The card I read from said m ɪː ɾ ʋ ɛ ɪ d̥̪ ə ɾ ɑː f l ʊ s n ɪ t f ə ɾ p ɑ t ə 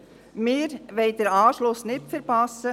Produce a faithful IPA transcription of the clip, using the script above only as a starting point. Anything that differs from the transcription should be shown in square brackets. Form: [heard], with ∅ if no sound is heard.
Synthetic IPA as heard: m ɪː ɾ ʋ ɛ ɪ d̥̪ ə ɾ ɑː [ʃ] l ʊ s n ɪ t f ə ɾ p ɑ [s] ə